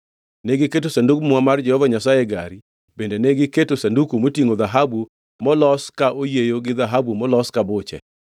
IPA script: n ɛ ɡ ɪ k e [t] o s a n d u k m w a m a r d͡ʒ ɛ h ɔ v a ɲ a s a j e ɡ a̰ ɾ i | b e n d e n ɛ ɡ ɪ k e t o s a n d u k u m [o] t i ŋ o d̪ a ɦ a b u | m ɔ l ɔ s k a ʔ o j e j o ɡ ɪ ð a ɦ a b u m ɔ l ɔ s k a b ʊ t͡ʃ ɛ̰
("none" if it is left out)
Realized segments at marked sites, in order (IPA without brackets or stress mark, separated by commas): t, o